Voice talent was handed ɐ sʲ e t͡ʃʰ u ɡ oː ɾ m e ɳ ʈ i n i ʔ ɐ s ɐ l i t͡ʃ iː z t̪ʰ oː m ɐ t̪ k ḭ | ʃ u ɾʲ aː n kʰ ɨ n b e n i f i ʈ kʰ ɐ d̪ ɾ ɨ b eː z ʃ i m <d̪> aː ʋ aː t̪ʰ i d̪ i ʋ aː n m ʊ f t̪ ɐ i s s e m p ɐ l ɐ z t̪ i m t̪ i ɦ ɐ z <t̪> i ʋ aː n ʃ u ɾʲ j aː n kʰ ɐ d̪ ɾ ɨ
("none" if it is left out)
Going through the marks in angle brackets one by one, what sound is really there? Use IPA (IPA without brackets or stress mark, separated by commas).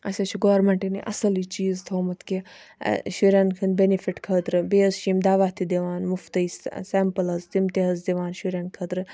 d̪, d̪